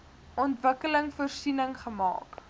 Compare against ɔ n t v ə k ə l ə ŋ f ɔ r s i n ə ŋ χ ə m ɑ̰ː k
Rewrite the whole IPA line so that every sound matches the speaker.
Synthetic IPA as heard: ɔ n t v ə k ə l ə ŋ f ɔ r s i n ə ŋ χ ə m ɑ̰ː k